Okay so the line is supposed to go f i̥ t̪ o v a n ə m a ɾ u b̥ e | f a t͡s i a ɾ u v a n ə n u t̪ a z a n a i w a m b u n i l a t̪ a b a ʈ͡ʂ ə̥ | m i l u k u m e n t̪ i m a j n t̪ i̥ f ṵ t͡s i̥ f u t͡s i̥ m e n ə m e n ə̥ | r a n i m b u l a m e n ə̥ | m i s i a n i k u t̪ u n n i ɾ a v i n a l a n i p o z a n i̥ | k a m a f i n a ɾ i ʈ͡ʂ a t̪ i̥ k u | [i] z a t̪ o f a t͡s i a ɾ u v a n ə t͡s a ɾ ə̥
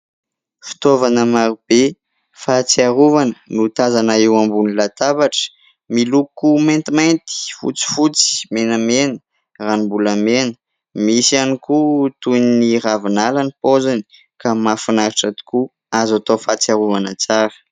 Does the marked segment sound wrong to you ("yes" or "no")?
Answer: yes